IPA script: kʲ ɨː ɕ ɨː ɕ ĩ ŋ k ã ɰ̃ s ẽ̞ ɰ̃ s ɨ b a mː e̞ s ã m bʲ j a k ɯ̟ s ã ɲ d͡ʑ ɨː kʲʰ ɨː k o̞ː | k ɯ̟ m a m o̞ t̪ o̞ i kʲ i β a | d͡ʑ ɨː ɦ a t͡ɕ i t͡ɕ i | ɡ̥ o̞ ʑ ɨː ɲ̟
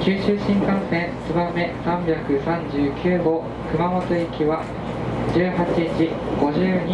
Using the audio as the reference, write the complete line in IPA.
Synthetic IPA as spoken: kʲ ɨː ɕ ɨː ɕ ĩ ŋ k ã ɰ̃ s ẽ̞ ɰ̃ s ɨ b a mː e̞ s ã m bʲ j a k ɯ̟ s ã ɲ d͡ʑ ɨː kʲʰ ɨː ɡ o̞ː | k ɯ̟ m a m o̞ t̪ o̞ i kʲ i β a | d͡ʑ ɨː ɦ a t͡ɕ i t͡ɕ i | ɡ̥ o̞ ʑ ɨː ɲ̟